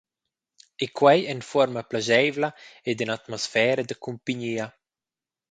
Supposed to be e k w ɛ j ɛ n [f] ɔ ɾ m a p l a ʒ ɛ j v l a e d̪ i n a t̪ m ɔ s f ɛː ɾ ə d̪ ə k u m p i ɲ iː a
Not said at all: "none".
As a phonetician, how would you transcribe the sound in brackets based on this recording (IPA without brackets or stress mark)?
f